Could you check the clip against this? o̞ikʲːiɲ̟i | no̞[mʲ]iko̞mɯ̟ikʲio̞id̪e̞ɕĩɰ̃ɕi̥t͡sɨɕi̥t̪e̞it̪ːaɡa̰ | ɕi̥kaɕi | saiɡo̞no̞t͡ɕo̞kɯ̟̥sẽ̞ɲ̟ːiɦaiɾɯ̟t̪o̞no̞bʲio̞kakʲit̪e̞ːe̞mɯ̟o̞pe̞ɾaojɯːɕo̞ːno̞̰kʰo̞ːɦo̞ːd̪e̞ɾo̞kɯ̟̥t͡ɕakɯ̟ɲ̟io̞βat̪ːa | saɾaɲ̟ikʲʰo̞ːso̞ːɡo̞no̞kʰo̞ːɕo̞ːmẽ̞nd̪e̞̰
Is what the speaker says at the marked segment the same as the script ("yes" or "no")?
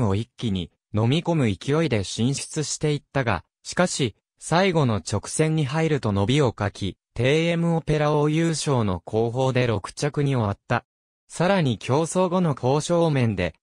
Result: yes